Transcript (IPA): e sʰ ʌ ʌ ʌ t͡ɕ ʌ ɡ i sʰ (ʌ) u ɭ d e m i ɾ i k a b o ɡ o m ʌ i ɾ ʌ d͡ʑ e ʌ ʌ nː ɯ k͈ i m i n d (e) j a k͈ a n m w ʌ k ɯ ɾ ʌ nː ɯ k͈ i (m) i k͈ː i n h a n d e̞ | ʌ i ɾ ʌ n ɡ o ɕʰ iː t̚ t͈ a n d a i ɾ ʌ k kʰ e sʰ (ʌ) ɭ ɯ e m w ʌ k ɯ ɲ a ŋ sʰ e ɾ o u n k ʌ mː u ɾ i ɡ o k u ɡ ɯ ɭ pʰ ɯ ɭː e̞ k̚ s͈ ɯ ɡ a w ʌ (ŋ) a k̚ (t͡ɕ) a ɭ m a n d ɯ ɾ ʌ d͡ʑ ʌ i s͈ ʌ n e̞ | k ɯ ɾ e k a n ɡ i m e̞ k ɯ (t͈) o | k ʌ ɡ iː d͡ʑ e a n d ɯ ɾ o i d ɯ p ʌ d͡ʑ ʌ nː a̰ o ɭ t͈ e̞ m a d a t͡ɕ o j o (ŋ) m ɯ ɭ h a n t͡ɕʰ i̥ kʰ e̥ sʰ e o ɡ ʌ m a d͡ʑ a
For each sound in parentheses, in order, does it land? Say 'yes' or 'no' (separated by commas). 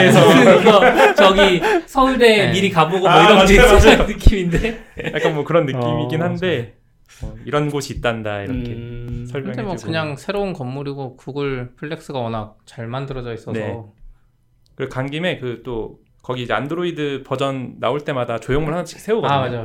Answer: yes, yes, yes, yes, no, yes, yes, yes